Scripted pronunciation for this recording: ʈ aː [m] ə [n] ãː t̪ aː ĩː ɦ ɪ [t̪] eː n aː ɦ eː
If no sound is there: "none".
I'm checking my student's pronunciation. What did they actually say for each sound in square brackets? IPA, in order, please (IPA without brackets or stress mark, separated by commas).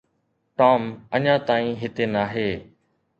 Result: m, ɲ, t̪